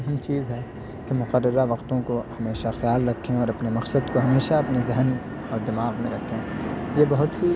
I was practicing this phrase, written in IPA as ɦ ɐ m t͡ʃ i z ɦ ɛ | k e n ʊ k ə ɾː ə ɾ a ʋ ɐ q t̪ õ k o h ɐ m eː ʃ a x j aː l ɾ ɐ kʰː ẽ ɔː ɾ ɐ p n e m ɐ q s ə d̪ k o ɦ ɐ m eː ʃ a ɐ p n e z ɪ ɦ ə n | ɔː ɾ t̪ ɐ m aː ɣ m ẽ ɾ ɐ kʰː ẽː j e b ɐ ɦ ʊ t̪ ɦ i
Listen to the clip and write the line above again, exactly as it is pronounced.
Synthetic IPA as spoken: ɦ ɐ m t͡ʃ iː z ɦ ɛ | k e m ʊ q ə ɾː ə ɾ a ʋ ɐ q t̪ õ k o h ɐ m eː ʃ a x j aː l ɾ ɐ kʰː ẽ ɔː ɾ ɐ p n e m ɐ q s ə d̪ k o ɦ ɐ m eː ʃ a ɐ p n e z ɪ ɦ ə n | ɔː ɾ d̪ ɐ m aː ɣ m ẽ ɾ ɐ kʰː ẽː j e b ɐ ɦ ʊ t̪ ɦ i